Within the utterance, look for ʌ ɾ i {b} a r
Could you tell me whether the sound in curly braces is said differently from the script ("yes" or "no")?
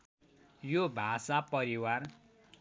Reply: yes